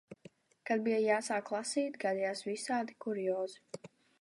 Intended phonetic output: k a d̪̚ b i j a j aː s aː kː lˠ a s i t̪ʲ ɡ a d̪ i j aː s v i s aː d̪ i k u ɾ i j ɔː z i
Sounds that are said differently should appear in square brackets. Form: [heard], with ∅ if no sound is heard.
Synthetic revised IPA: k a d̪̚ b i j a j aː s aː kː lˠ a s [iː] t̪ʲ ɡ a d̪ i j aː s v i s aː d̪ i k u ɾ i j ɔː z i